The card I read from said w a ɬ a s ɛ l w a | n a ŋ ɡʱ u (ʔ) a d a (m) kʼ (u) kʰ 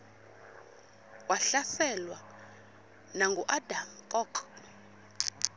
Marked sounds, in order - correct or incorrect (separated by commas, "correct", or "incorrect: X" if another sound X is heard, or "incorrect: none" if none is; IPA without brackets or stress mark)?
correct, correct, incorrect: ɔ